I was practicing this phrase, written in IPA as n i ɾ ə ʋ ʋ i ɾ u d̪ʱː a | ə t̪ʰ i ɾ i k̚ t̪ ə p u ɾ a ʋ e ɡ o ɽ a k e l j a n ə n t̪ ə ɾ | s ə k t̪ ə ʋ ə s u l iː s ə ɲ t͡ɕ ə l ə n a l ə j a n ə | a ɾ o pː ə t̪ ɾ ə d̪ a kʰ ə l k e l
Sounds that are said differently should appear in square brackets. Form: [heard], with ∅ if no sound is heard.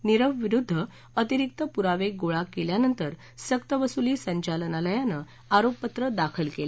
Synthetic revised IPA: n i ɾ ə ʋ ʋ i ɾ u d̪ʱː [ə] | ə [t̪] i ɾ i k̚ t̪ ə p u ɾ a ʋ e ɡ o [ɭ] a k e l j a n ə n t̪ ə ɾ | s ə k t̪ ə ʋ ə s u l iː s ə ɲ t͡ɕ [a] l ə n a l ə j a n ə | a ɾ o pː ə t̪ ɾ ə d̪ a kʰ ə l k e l

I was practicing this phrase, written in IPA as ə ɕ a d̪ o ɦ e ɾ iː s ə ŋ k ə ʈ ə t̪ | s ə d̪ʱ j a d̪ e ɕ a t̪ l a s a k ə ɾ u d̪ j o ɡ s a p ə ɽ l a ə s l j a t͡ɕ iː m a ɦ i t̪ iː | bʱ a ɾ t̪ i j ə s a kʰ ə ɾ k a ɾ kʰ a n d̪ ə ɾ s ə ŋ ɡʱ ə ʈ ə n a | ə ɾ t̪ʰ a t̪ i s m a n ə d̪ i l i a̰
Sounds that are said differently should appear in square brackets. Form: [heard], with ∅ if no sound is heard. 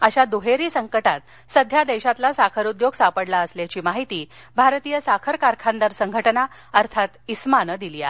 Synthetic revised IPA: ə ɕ a d̪ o ɦ e ɾ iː s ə ŋ k ə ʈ [a] t̪ | s ə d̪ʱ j a d̪ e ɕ a t̪ l a s a [kʰ] ə ɾ u d̪ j o ɡ s a p ə ɽ l a ə s l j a t͡ɕ iː m a ɦ i t̪ iː | bʱ a ɾ t̪ i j ə s a kʰ ə ɾ k a ɾ kʰ a n d̪ ə ɾ s ə ŋ ɡʱ ə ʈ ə n a | ə ɾ t̪ʰ a t̪ i s m a n ə d̪ i l i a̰

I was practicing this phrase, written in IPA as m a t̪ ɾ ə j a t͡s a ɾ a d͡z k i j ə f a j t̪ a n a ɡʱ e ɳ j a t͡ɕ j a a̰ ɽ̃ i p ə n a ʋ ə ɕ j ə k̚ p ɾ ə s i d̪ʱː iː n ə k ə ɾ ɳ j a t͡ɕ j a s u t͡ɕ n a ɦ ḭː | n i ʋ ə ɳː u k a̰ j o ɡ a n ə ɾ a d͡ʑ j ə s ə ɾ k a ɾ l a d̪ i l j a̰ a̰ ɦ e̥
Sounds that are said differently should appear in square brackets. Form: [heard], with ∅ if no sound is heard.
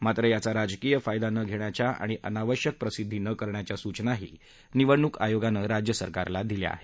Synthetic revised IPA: m a t̪ ɾ ə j a t͡s a ɾ a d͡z k i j ə f a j [d̪] a n [ə] ɡʱ e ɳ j a t͡ɕ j a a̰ ɽ̃ i [ʔ] ə n a ʋ ə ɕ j ə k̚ p ɾ ə s i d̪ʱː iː n ə k ə ɾ ɳ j a t͡ɕ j a s u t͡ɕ n a ɦ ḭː | n i ʋ ə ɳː u k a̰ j o ɡ a n ə ɾ a d͡ʑ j ə s ə ɾ k a ɾ l a d̪ i l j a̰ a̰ ɦ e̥

